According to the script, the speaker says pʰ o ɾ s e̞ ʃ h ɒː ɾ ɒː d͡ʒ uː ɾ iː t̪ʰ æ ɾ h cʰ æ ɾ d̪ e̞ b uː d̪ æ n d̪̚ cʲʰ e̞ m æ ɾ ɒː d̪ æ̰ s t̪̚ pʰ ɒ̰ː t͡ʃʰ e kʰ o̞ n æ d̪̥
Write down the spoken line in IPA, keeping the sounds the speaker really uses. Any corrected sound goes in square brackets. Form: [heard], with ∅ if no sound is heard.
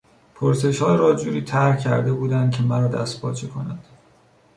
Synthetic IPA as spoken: pʰ o ɾ s e̞ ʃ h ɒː ɾ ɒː d͡ʒ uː ɾ iː t̪ʰ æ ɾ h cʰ æ ɾ d̪ e̞ b uː d̪ æ n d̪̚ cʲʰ e̞ m æ ɾ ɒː d̪ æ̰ s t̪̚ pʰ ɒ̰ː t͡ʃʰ e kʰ o̞ n æ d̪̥